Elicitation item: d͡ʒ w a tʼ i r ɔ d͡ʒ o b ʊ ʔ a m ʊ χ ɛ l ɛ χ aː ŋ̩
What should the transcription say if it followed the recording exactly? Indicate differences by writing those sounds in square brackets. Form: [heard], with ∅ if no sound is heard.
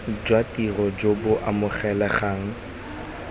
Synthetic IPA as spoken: d͡ʒ w a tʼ i r ɔ d͡ʒ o b ʊ ʔ a m ʊ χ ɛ l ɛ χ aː ŋ̩